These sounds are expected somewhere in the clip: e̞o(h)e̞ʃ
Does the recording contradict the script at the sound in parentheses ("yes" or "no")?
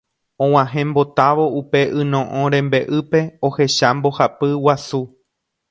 no